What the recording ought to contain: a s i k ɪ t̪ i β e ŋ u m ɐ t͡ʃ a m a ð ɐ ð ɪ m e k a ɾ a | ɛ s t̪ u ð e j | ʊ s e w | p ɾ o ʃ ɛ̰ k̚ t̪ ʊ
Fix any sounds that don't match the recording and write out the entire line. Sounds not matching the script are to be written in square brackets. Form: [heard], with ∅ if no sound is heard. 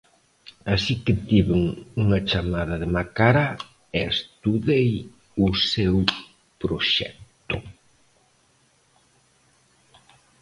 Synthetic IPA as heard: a s i k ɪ t̪ i β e ŋ u [ŋ] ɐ t͡ʃ a m a ð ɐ ð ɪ m [a] k a ɾ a | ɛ s t̪ u ð e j | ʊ s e w | p ɾ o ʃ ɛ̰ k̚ t̪ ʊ